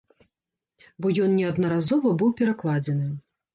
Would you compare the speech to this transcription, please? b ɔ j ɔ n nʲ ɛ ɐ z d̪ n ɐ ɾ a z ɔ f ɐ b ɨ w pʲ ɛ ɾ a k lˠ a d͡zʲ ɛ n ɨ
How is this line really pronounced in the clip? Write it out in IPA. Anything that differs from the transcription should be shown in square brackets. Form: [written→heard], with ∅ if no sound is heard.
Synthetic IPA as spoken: b ɔ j ɔ n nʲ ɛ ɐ [z→∅] d̪ n ɐ ɾ a z ɔ [f→v] ɐ b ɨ w pʲ ɛ ɾ a k lˠ a d͡zʲ ɛ n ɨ